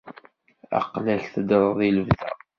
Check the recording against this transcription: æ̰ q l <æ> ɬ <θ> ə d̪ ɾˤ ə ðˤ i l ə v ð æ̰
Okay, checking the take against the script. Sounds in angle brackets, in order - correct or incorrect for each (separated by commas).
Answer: correct, correct